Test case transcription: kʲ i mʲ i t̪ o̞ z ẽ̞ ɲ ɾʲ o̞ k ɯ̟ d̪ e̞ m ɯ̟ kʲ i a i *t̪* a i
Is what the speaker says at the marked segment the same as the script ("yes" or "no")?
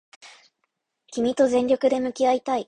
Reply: yes